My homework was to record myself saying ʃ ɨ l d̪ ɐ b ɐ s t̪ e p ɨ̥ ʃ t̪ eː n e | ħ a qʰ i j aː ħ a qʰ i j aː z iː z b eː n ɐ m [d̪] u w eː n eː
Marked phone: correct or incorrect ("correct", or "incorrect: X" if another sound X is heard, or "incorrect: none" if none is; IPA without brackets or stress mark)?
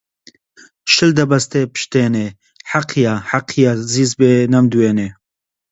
correct